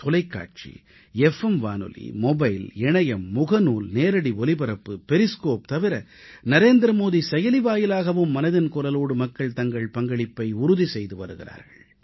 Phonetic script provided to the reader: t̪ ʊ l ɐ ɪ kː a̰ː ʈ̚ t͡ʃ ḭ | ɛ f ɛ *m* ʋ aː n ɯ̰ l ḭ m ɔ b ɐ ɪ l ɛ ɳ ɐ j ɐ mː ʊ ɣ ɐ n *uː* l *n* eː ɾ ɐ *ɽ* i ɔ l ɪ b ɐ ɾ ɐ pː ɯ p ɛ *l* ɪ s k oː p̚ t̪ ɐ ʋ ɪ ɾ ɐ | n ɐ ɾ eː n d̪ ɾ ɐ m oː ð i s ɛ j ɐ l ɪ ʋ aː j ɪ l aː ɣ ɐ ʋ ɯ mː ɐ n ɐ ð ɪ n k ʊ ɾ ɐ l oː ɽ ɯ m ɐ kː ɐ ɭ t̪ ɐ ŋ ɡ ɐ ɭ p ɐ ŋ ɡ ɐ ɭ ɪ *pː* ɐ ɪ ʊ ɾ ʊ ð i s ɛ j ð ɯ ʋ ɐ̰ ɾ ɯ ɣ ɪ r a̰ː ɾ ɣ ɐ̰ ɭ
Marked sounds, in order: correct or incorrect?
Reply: correct, correct, correct, correct, incorrect, correct

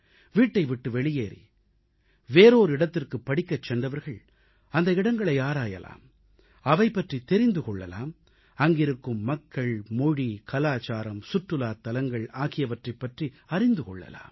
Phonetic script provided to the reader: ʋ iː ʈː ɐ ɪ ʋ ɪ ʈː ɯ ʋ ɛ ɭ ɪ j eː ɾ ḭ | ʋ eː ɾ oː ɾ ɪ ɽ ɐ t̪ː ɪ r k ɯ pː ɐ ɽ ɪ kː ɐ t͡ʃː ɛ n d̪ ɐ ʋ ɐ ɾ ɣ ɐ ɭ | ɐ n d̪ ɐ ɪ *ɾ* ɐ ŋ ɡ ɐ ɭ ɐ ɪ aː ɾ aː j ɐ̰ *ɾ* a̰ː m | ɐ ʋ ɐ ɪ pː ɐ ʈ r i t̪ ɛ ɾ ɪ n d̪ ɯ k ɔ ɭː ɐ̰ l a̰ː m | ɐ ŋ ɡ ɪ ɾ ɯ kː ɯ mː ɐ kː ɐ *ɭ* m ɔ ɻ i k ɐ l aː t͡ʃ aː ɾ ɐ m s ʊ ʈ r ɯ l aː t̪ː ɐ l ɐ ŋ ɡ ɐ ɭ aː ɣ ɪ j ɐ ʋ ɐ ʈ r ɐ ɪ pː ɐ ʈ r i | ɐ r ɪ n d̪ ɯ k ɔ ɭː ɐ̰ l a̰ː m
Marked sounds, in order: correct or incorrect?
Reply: incorrect, incorrect, correct

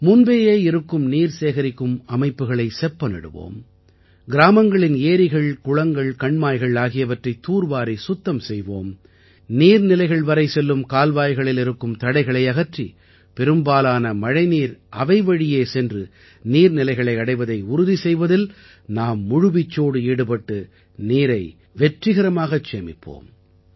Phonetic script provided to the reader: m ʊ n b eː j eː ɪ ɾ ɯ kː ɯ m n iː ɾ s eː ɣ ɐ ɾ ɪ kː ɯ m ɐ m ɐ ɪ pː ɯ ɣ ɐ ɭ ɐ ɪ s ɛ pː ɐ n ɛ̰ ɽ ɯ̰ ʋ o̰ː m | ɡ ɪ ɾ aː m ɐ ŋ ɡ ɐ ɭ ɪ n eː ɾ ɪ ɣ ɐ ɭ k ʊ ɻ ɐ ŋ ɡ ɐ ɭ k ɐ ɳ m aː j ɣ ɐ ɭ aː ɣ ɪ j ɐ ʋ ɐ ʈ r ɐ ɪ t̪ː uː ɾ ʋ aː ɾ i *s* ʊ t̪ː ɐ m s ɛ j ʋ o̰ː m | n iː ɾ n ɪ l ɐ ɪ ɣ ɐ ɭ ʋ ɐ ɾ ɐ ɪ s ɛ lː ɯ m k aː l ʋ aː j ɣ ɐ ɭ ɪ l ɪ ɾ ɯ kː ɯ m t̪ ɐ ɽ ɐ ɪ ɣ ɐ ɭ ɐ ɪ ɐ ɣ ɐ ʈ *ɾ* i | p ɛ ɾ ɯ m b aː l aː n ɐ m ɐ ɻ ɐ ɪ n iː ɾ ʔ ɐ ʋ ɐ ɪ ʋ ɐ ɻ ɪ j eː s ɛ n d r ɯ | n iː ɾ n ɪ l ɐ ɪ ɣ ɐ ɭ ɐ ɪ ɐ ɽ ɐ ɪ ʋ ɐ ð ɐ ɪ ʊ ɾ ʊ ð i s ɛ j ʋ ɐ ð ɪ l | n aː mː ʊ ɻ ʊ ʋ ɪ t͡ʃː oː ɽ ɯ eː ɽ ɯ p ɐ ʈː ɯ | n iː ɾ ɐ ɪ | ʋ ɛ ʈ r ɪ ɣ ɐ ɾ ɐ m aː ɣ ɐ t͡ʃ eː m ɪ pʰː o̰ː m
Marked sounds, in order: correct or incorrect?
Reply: correct, incorrect

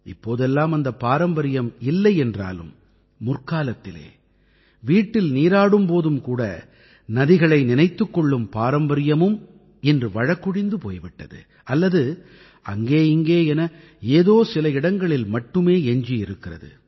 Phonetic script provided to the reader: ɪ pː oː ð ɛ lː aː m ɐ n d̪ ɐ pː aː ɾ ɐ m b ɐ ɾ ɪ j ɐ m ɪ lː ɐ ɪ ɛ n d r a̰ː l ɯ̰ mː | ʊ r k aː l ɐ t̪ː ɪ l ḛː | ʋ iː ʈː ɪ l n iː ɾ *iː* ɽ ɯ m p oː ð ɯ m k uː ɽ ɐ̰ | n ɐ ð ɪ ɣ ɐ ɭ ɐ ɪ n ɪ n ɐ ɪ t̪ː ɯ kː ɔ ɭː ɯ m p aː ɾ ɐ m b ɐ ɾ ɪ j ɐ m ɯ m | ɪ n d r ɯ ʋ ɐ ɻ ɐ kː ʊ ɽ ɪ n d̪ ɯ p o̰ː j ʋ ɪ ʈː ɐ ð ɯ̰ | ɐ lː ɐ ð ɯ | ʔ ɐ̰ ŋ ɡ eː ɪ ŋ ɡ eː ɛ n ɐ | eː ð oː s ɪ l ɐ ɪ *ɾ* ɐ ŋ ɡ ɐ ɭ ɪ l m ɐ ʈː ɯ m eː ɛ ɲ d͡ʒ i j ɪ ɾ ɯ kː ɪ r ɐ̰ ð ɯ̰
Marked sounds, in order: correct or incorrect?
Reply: incorrect, incorrect

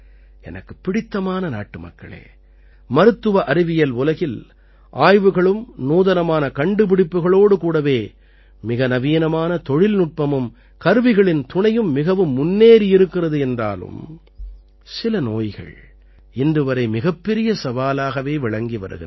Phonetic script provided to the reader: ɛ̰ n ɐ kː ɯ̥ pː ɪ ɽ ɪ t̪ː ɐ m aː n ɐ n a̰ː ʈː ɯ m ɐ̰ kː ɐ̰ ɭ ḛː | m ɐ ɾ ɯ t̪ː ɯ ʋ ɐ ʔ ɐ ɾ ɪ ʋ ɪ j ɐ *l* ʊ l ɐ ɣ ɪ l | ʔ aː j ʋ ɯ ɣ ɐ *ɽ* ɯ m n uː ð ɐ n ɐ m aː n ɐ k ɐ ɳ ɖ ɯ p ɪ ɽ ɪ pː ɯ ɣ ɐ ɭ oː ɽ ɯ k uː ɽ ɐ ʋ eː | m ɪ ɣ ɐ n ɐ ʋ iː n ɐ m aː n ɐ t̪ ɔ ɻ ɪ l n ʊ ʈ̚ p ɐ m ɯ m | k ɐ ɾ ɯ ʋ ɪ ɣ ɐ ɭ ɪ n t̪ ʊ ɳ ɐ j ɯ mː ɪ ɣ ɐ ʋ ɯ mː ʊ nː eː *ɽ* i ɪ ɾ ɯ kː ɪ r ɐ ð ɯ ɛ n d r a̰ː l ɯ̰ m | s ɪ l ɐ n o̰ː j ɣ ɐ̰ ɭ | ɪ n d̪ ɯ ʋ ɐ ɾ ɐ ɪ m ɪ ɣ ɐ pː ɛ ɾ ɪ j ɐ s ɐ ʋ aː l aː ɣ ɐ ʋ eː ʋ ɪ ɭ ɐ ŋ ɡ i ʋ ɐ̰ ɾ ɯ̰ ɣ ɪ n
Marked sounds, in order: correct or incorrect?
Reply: correct, incorrect, incorrect

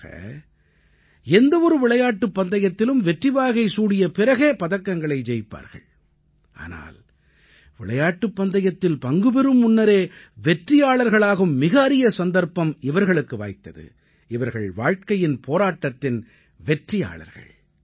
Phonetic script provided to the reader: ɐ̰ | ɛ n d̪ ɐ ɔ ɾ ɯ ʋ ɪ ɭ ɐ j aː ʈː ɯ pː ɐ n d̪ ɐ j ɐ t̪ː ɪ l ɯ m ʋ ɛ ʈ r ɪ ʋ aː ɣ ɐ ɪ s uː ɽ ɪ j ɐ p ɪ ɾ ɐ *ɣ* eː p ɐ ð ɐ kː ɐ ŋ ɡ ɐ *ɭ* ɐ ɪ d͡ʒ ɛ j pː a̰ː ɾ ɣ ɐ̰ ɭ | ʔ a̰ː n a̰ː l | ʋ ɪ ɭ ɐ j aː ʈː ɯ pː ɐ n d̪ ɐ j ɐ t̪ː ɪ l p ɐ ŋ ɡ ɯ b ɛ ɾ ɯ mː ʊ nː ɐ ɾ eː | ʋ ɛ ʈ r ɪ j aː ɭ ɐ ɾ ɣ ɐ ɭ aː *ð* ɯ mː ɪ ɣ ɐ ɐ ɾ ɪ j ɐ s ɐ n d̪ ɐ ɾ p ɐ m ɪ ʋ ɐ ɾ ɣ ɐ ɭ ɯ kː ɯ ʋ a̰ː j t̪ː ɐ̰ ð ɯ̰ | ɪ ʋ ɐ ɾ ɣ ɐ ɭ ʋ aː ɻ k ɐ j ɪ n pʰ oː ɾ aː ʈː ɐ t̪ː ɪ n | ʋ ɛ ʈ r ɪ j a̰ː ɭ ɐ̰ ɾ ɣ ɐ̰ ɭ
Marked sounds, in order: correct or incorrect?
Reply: correct, correct, incorrect

